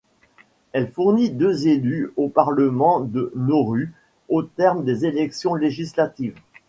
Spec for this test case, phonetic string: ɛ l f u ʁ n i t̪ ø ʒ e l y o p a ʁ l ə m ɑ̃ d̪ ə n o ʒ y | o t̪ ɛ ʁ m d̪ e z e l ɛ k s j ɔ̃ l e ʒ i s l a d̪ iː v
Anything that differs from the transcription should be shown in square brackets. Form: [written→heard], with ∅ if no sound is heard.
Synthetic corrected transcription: ɛ l f u ʁ n i [t̪→d̪] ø [ʒ→z] e l y o p a ʁ l ə m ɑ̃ d̪ ə n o [ʒ→ʁ] y | o t̪ ɛ ʁ m d̪ e z e l ɛ k s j ɔ̃ l e ʒ i s l a [d̪→t̪] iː v